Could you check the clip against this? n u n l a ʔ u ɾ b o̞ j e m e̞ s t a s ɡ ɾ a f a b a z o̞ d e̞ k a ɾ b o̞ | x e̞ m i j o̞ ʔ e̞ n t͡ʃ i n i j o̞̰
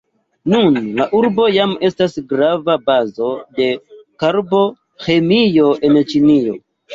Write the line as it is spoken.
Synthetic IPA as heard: n u n l a ʔ u ɾ b o̞ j a m e̞ s t a s ɡ ɾ a v a b a z o̞ d e̞ k a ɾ b o̞ | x e̞ m i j o̞ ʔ e̞ n t͡ʃ i n i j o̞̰